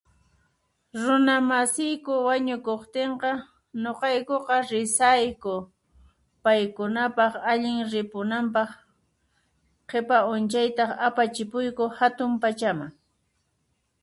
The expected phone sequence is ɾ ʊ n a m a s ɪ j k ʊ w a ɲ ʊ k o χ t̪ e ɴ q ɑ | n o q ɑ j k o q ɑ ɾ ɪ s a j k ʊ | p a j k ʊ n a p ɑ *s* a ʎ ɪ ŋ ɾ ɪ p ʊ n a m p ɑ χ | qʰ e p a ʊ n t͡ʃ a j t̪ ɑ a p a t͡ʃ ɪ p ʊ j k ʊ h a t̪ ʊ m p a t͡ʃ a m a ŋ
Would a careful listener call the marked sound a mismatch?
yes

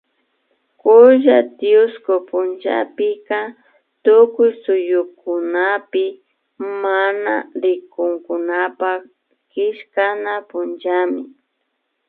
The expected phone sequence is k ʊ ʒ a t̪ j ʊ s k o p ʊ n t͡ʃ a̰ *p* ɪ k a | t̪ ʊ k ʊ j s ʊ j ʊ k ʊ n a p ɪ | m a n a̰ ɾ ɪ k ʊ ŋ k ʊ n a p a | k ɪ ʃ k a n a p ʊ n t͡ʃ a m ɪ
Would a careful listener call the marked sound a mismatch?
no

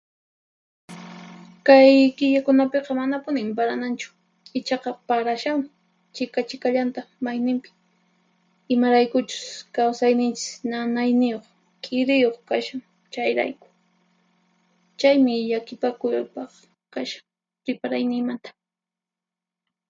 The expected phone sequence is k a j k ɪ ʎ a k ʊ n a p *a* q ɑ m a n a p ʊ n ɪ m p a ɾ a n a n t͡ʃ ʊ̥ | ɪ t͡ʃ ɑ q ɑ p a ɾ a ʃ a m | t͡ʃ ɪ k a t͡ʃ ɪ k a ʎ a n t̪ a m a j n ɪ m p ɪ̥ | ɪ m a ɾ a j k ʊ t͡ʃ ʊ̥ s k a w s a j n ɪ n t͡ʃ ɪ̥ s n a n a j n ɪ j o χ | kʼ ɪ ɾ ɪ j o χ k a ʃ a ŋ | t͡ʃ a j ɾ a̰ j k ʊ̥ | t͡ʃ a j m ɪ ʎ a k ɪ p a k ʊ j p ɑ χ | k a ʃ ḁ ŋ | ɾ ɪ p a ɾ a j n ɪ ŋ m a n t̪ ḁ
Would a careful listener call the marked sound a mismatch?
yes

